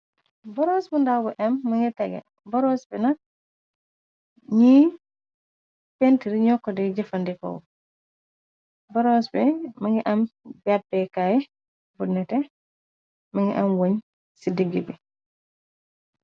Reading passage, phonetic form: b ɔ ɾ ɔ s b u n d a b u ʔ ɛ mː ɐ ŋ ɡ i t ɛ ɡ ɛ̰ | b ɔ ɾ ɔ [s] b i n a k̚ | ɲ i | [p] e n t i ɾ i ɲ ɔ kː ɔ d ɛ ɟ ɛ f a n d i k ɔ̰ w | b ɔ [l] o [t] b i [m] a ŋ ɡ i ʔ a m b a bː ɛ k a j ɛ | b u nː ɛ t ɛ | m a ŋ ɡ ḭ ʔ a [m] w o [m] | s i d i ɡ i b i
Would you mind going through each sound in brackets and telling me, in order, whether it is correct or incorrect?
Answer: correct, correct, incorrect: ɾ, incorrect: s, correct, correct, incorrect: ɲ

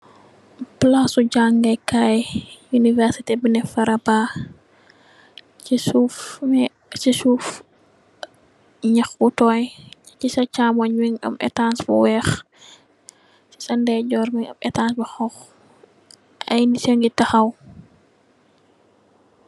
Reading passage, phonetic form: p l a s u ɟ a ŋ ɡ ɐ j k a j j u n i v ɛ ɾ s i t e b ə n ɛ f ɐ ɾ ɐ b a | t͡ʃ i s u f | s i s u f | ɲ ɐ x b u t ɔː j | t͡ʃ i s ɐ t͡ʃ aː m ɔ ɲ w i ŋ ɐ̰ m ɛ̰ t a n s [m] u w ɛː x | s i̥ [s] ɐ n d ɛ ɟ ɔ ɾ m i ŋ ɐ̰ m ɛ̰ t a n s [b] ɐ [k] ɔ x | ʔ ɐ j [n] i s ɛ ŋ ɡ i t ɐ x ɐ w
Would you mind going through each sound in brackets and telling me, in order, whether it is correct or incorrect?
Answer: incorrect: b, correct, correct, incorrect: x, correct

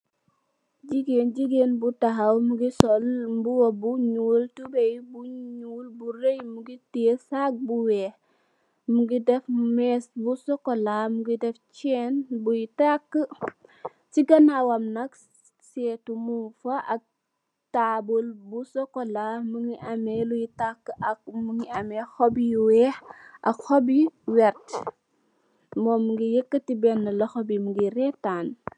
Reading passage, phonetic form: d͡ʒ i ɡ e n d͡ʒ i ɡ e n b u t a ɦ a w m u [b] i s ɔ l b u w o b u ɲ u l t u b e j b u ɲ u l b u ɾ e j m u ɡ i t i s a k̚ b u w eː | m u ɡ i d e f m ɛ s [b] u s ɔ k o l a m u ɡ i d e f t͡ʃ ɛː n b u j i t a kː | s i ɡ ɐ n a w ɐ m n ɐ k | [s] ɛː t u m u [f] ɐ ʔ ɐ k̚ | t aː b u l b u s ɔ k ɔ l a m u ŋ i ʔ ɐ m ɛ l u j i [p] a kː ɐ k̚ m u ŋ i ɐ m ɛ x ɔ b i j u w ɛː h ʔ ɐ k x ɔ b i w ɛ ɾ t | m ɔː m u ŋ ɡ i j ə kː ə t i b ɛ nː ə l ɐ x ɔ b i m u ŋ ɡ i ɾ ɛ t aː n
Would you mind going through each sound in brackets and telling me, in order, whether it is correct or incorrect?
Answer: incorrect: ɡ, correct, correct, correct, incorrect: t

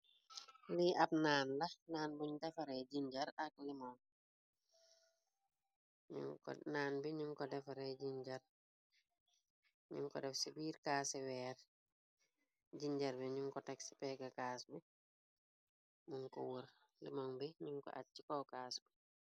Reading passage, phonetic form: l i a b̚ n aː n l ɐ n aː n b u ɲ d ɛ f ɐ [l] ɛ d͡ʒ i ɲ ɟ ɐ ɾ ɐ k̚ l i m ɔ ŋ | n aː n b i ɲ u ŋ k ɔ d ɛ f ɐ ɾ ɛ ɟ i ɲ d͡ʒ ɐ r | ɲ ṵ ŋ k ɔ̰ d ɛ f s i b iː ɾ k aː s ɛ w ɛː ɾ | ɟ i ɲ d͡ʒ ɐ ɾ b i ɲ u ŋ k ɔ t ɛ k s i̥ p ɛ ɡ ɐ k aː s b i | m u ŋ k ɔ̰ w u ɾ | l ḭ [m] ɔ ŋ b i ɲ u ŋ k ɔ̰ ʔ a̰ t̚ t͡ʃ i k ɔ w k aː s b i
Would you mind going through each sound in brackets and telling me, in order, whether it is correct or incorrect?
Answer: incorrect: ɾ, correct

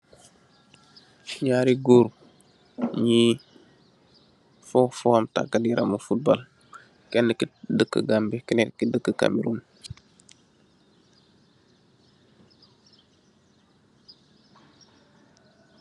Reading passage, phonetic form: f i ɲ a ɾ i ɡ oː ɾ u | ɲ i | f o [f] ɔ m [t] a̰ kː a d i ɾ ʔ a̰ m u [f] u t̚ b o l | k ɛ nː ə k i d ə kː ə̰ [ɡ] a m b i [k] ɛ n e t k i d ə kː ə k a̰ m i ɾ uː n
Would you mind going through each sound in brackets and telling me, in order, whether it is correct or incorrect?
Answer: correct, correct, correct, correct, correct

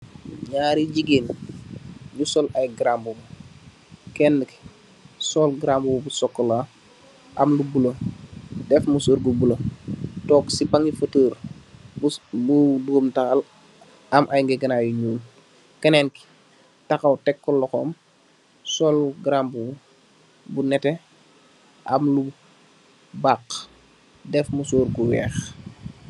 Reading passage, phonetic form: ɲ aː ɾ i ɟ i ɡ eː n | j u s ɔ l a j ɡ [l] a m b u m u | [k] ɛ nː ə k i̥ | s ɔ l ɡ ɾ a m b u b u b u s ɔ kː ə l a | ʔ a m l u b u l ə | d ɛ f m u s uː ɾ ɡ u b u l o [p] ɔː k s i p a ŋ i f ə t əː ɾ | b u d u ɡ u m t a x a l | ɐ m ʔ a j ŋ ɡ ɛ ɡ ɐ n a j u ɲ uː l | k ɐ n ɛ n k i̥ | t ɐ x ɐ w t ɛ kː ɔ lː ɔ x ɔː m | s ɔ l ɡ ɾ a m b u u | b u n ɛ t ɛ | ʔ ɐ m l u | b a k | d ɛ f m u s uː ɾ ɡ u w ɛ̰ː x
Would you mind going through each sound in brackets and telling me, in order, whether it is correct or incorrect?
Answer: incorrect: ɾ, correct, incorrect: t

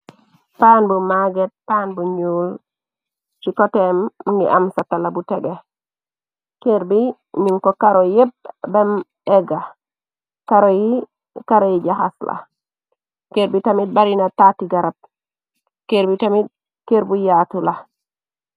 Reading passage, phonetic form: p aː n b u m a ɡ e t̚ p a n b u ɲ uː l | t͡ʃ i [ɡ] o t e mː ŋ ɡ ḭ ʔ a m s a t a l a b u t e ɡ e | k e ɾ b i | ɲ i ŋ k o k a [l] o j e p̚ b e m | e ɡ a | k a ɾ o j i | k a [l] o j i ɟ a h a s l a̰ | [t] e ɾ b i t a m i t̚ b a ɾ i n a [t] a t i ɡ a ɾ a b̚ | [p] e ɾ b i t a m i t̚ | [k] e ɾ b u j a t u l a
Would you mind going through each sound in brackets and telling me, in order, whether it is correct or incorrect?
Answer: incorrect: k, incorrect: ɾ, incorrect: ɾ, incorrect: k, correct, incorrect: k, correct

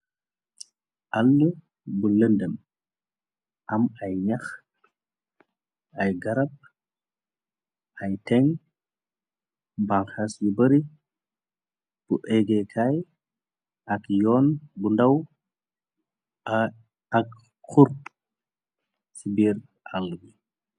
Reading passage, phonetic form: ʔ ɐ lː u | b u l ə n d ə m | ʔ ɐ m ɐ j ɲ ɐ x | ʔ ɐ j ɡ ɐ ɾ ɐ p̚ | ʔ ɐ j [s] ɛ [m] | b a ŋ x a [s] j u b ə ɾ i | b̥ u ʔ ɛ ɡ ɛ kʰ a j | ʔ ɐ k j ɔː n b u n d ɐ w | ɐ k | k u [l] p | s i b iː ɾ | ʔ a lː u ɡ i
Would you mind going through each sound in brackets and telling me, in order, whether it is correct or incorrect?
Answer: incorrect: t, incorrect: ŋ, correct, incorrect: ɾ

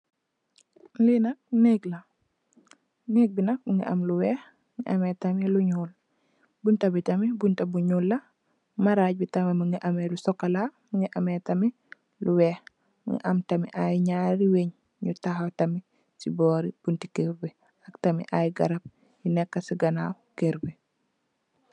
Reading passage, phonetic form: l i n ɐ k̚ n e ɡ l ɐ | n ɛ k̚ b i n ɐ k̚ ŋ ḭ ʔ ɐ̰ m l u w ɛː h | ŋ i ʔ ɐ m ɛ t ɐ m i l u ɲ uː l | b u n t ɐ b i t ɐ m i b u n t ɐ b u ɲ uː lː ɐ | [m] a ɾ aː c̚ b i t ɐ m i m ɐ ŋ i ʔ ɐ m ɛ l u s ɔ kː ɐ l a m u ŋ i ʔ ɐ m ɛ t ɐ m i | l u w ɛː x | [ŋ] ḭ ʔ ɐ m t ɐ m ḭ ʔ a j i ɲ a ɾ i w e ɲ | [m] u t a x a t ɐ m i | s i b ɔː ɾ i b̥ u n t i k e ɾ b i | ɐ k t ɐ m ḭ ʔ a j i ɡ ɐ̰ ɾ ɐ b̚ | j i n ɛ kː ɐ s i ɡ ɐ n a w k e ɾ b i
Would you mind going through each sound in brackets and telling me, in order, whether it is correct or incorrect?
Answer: correct, correct, incorrect: ɲ

